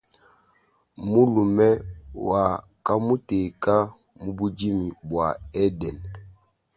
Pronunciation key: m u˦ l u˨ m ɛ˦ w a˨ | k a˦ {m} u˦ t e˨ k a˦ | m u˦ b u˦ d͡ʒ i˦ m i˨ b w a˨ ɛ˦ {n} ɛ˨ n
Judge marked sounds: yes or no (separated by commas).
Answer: yes, no